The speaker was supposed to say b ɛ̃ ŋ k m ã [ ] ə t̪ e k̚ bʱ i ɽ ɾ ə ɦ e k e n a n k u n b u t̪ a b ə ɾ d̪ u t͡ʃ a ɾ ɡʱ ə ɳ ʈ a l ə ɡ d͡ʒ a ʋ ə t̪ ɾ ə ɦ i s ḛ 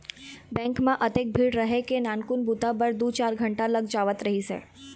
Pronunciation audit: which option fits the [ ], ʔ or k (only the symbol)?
ʔ